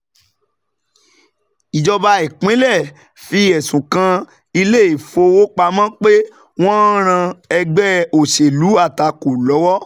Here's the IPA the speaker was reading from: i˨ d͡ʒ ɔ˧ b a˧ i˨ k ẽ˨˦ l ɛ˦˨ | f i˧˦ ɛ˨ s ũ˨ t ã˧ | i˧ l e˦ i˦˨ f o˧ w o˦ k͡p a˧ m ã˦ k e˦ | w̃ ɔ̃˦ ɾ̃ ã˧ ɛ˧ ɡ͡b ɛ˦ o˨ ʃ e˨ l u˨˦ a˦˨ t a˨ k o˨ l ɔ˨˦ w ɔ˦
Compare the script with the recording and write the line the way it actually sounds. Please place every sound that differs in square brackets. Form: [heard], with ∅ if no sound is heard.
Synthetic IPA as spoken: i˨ d͡ʒ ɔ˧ b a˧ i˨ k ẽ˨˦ l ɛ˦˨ | f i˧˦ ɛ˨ s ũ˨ [k] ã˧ | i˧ l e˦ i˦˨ f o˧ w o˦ k͡p a˧ m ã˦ [k͡p] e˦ | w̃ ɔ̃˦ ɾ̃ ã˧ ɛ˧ ɡ͡b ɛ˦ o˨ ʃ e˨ l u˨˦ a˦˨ t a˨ k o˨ l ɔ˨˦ w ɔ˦